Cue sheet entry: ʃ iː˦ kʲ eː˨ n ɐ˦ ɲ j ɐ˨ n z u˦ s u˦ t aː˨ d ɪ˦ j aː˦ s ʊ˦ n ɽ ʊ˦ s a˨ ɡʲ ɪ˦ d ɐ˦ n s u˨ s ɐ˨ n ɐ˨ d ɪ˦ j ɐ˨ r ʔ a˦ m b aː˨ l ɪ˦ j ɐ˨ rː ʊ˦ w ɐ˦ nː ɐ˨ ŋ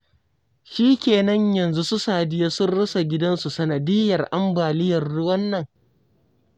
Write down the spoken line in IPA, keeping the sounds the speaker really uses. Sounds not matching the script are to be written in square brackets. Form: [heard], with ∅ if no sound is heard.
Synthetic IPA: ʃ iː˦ kʲ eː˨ n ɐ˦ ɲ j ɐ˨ n z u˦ s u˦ [s] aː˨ d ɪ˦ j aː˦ s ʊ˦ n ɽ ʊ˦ s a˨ ɡʲ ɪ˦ d ɐ˦ n s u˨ s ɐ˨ n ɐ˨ d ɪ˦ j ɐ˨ r ʔ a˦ m b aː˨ l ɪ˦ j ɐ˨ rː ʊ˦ w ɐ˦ nː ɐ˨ ŋ

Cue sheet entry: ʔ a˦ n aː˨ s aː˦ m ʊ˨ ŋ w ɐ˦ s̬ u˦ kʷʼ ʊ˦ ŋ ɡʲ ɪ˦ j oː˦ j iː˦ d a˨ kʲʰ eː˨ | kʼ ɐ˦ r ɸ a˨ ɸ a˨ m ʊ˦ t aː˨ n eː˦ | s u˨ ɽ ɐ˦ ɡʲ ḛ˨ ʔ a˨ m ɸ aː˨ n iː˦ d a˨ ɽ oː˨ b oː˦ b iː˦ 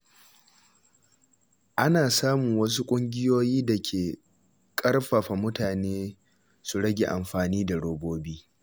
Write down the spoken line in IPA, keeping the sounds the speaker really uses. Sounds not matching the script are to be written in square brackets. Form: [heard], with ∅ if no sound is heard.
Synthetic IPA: ʔ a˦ n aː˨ s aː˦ m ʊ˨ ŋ w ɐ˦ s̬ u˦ kʷʼ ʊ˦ ŋ ɡʲ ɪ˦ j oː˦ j iː˦ d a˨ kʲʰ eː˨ | kʼ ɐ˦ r ɸ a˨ ɸ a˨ m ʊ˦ t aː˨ n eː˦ | s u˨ ɽ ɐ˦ ɡʲ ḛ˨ ʔ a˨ m ɸ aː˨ n iː˦ d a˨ ɽ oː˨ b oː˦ b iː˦

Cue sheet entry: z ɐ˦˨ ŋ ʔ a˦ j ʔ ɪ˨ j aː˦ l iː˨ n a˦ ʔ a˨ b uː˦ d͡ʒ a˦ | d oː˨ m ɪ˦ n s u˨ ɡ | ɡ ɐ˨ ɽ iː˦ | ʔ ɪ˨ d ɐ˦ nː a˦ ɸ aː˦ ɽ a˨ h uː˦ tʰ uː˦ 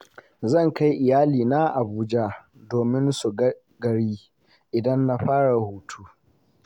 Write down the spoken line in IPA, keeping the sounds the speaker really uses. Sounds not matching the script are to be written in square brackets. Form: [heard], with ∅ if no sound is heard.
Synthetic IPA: z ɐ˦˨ ŋ [k] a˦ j ʔ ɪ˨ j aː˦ l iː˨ n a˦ ʔ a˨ b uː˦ d͡ʒ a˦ | d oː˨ m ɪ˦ n s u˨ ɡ | ɡ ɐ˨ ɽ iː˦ | ʔ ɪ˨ d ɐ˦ nː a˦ ɸ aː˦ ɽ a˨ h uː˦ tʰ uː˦

